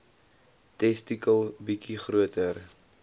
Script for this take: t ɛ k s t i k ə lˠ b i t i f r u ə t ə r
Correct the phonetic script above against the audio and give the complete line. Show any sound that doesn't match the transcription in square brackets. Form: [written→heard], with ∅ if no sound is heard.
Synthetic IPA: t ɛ [k→∅] s t i k ə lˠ b i [t→k] i [f→χ] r u ə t ə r